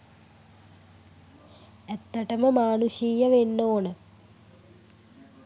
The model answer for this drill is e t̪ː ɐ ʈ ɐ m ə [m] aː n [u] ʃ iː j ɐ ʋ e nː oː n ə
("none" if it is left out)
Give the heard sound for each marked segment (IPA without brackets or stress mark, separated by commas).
m, u